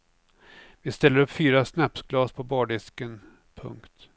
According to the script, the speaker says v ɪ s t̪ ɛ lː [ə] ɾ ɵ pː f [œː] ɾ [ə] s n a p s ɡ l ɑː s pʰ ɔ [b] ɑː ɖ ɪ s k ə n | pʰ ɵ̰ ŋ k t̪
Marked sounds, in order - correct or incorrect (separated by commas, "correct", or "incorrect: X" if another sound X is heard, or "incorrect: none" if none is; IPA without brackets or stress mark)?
correct, incorrect: yː, incorrect: a, correct